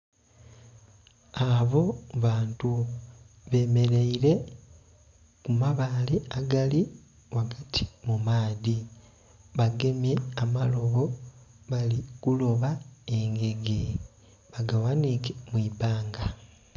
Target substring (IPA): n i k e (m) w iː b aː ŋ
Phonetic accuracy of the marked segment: correct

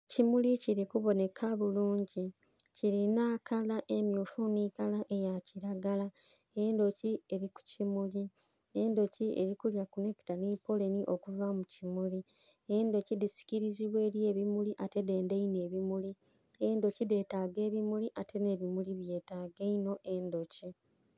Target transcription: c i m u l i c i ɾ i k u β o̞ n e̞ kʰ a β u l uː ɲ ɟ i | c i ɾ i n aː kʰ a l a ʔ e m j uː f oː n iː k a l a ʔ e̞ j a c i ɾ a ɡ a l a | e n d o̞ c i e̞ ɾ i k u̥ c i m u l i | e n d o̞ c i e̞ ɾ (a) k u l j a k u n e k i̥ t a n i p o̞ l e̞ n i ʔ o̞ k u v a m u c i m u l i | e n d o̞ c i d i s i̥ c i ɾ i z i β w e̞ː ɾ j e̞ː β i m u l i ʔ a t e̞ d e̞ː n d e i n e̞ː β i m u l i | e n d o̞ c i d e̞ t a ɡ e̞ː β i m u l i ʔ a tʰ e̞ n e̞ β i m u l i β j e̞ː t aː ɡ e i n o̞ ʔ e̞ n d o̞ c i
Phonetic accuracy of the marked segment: incorrect: i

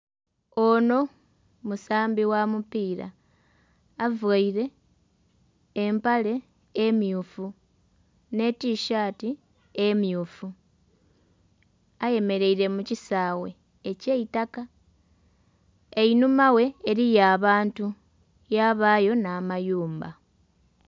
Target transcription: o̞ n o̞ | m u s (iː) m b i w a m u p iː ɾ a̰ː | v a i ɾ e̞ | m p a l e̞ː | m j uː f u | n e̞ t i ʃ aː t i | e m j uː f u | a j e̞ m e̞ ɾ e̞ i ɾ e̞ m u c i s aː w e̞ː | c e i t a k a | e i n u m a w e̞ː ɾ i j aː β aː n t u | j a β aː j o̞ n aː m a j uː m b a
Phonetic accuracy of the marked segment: incorrect: aː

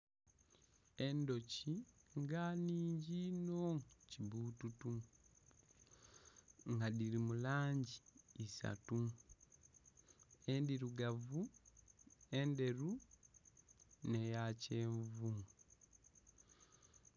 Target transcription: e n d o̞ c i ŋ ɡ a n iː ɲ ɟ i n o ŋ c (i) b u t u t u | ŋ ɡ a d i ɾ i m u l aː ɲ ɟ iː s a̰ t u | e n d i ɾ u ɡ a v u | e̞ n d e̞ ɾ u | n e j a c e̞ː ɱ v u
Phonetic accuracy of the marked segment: correct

